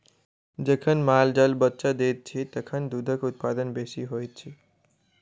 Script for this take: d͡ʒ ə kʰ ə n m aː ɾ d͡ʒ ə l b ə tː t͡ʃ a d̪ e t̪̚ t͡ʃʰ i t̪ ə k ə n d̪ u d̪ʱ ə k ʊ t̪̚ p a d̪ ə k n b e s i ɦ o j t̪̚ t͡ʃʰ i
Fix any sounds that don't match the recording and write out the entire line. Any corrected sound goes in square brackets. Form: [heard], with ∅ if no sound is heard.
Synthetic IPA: d͡ʒ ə kʰ ə n m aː [l] d͡ʒ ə l b ə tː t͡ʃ a d̪ e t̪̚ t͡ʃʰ i t̪ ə [kʰ] ə n d̪ u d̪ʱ ə k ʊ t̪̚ p a d̪ ə [∅] n b e s i ɦ o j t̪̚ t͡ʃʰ i